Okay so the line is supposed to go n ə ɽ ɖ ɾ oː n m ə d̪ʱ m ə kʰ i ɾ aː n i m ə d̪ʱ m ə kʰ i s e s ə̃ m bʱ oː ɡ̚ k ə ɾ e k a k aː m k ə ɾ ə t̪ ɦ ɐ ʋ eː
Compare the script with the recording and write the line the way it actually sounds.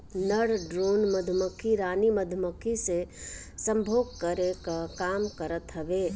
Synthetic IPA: n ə ɽ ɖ ɾ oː n m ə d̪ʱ m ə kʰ i ɾ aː n i m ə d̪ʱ m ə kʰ i s e s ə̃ m bʱ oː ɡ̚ k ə ɾ e k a k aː m k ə ɾ ə t̪ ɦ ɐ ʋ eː